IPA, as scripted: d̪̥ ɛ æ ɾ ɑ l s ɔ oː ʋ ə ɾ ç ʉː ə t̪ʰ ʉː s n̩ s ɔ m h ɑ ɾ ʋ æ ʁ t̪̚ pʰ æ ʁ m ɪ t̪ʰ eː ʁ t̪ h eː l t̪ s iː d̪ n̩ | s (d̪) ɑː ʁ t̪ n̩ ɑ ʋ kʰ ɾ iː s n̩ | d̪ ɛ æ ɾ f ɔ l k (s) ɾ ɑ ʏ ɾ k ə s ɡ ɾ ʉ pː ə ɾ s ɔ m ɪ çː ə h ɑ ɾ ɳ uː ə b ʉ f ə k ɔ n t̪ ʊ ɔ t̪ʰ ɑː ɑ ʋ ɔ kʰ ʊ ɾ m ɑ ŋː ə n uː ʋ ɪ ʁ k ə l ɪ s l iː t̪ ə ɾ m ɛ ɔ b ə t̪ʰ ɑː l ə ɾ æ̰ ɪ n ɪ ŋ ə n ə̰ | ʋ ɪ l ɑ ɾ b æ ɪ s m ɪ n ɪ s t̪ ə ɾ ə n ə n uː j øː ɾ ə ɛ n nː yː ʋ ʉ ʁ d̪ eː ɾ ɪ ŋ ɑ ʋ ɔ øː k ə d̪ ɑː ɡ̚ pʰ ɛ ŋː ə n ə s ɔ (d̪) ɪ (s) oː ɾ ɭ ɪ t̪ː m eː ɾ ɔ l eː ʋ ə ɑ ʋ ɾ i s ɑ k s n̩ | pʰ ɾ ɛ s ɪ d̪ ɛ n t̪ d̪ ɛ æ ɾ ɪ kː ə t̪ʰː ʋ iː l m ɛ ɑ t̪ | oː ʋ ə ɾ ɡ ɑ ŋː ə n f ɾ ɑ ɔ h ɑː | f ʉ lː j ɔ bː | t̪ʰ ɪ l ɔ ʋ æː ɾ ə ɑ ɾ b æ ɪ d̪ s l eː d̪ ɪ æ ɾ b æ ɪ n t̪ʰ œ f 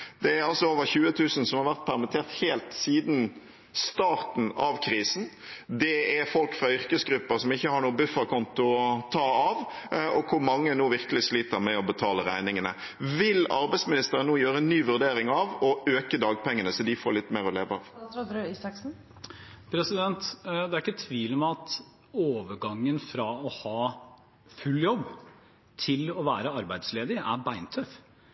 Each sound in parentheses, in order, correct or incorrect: incorrect, incorrect, correct, incorrect

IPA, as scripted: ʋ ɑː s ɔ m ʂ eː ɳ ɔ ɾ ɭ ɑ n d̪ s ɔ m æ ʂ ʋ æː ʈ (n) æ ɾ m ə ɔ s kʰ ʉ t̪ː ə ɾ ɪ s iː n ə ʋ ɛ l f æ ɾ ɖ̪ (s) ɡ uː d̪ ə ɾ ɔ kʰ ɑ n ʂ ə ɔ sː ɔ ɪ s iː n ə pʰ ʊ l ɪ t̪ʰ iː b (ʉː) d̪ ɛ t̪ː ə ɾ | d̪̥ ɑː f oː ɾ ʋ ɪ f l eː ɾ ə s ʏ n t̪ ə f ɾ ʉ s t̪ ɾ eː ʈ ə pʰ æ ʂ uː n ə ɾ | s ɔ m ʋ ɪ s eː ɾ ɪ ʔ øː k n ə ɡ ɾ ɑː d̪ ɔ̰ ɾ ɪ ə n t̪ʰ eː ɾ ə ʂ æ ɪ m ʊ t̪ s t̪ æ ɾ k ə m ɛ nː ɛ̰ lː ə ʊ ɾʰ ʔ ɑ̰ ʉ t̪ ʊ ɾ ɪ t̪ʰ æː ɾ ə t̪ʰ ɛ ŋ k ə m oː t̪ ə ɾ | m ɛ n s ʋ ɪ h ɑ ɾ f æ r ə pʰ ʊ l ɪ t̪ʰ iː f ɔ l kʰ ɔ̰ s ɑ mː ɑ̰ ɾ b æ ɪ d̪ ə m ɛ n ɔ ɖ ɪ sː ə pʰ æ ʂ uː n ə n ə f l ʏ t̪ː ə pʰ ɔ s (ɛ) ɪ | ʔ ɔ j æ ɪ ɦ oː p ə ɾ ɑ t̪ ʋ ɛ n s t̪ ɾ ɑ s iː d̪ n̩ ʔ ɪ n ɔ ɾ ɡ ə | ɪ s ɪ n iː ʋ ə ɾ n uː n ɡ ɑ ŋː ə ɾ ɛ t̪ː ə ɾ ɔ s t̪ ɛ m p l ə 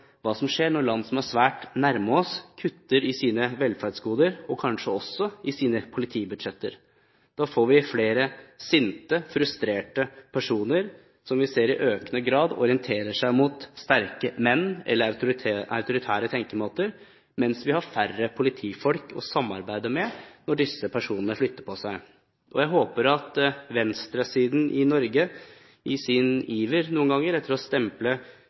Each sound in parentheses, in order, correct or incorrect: correct, correct, incorrect, incorrect

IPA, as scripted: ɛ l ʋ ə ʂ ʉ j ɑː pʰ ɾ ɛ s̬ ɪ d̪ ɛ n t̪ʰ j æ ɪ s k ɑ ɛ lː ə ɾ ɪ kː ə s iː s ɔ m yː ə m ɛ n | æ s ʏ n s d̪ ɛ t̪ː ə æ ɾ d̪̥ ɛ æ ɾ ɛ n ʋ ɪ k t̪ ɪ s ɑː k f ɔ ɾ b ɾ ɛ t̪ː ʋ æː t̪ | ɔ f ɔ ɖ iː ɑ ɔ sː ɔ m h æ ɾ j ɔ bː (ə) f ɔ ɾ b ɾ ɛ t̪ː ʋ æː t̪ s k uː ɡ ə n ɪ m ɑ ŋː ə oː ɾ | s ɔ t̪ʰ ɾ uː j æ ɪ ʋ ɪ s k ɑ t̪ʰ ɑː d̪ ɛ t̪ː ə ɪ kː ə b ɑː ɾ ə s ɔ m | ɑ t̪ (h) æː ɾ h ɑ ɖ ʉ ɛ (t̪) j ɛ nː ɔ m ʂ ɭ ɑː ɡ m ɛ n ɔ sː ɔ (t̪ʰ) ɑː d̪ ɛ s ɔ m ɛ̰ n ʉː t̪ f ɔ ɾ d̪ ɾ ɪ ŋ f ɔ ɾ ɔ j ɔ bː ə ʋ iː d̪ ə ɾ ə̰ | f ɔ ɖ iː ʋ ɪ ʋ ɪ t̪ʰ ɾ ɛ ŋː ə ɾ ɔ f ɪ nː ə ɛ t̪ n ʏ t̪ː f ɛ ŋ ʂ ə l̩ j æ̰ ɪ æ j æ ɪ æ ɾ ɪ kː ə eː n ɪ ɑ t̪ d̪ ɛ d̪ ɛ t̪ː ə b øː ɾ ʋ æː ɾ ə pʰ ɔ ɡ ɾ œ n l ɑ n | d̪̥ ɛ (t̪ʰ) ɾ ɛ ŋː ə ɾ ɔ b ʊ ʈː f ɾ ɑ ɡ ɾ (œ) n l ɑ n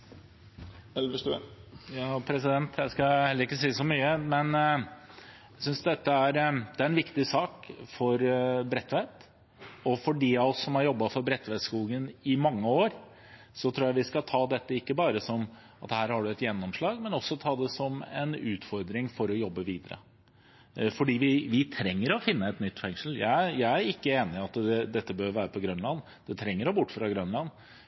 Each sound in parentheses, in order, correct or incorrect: incorrect, correct, correct, correct, correct, correct

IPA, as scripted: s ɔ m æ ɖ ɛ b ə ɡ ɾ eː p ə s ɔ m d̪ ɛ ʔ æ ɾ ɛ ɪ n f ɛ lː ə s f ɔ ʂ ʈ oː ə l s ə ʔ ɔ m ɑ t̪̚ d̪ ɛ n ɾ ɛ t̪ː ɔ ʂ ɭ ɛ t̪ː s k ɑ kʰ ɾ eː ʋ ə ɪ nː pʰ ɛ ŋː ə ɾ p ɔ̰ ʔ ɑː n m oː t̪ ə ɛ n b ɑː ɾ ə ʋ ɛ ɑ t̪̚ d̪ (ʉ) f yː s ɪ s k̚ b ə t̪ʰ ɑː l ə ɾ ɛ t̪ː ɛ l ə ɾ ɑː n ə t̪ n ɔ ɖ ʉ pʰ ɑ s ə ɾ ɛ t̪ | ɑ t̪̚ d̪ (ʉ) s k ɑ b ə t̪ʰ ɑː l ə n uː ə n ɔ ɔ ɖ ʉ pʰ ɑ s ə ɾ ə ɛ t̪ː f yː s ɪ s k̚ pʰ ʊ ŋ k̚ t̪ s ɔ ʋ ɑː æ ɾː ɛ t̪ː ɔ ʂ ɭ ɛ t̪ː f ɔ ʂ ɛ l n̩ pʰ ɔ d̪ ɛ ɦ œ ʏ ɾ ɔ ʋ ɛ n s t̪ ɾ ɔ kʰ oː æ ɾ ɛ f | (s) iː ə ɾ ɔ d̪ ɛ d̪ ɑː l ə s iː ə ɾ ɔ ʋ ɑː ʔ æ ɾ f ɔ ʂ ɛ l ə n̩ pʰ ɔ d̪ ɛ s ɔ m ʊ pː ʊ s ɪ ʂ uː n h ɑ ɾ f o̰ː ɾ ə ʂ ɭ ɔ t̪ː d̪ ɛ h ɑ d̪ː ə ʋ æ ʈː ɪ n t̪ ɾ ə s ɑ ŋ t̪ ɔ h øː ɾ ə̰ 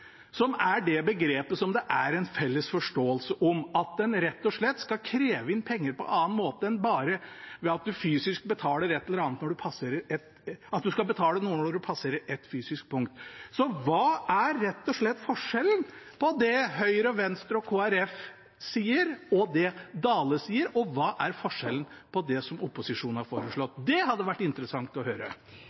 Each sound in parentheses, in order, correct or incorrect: correct, correct, correct

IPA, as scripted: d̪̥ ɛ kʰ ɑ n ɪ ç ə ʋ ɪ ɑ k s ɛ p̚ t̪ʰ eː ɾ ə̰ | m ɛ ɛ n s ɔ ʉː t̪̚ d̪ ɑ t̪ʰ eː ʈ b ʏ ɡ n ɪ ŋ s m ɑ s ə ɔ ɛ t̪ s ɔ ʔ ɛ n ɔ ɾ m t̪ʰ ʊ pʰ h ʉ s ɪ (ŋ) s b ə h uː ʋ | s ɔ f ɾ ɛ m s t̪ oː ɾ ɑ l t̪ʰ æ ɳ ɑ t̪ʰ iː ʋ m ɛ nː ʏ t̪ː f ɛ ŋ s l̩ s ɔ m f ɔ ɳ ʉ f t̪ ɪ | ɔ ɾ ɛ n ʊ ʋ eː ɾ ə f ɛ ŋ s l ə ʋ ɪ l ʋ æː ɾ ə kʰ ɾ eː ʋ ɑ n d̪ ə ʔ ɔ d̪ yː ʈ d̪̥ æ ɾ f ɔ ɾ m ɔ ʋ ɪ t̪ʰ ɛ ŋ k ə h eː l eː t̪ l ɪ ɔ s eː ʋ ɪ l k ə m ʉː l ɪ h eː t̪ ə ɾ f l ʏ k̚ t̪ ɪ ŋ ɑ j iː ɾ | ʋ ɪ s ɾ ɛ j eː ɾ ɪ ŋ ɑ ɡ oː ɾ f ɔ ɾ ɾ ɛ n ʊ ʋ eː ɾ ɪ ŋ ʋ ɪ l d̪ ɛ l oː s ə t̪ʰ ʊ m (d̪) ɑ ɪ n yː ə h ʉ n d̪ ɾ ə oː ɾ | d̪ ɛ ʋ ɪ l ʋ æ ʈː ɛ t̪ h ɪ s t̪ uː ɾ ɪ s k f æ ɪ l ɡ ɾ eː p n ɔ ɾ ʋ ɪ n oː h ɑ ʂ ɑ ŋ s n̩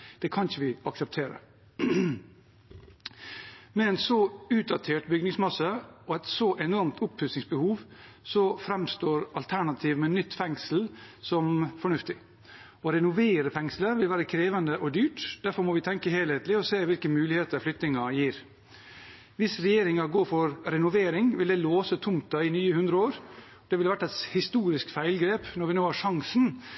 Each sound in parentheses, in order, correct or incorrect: correct, incorrect

